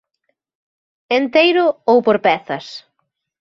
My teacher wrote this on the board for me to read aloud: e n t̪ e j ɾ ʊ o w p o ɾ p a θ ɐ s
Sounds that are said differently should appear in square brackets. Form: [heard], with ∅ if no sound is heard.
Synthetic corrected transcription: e n t̪ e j ɾ ʊ o w p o ɾ p [ɛ] θ ɐ s